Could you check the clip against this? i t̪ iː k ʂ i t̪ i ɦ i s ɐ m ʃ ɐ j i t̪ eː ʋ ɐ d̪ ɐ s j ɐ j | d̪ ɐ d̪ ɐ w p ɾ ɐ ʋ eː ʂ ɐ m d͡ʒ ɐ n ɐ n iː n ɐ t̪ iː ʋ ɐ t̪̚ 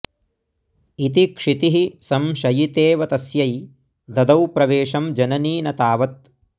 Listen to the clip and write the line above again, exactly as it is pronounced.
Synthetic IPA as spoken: i t̪ i k ʂ i t̪ i ɦ i s ɐ m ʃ ɐ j i t̪ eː ʋ ɐ t̪ ɐ s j ɐ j | d̪ ɐ d̪ ɐ w p ɾ ɐ ʋ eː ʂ ɐ m d͡ʒ ɐ n ɐ n iː n ɐ t̪ aː ʋ ɐ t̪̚